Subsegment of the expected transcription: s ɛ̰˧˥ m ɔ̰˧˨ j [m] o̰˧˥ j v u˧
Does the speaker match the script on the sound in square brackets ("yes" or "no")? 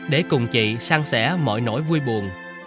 no